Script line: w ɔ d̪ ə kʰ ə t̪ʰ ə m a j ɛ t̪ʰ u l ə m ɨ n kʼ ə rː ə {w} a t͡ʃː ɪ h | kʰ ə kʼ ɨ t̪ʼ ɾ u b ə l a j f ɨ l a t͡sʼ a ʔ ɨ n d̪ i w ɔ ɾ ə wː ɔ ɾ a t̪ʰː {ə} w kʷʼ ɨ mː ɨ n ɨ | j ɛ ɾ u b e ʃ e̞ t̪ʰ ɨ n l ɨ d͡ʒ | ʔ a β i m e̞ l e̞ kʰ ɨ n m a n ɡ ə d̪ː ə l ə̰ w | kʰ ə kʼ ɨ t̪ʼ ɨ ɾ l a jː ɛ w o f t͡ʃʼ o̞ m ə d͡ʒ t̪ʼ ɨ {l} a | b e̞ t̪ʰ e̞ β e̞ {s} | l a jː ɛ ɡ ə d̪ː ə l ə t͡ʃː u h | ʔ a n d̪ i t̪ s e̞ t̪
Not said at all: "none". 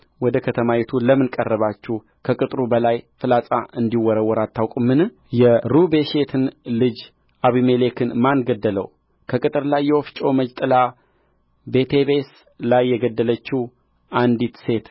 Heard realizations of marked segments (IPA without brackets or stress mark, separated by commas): β, a, l, s